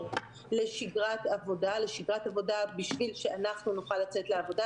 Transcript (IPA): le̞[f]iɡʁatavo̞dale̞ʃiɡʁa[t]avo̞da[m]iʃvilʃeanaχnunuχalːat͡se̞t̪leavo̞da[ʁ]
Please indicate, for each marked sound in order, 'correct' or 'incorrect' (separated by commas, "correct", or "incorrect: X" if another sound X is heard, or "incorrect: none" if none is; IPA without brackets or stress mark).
incorrect: ʃ, correct, incorrect: b, incorrect: none